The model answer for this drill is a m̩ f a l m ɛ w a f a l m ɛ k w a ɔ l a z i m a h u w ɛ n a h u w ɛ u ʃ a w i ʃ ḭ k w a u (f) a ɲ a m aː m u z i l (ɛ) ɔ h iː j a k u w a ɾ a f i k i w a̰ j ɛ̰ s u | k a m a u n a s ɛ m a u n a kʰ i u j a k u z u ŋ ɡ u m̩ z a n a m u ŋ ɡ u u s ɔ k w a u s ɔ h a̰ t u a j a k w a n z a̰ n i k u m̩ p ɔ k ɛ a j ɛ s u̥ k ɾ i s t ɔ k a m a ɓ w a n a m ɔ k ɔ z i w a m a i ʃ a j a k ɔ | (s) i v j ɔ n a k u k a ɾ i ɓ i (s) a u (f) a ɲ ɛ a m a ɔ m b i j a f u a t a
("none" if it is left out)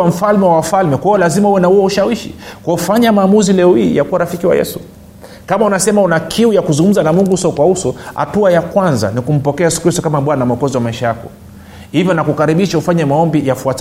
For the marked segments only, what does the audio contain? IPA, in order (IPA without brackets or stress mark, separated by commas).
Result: f, ɛ, h, ʃ, f